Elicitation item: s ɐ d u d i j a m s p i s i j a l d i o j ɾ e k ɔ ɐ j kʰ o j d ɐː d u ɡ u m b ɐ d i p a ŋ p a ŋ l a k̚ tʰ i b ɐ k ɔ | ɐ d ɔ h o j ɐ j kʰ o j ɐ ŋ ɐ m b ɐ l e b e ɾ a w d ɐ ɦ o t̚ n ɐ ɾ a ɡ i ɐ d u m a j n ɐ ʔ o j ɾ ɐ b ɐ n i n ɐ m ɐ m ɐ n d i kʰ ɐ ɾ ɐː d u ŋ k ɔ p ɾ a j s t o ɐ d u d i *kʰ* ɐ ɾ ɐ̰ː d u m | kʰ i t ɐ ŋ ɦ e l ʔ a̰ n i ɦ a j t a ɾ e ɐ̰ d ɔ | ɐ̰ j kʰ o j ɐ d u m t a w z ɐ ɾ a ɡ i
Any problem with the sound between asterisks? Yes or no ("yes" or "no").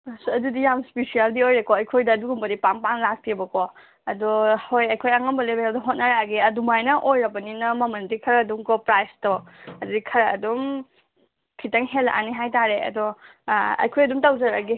no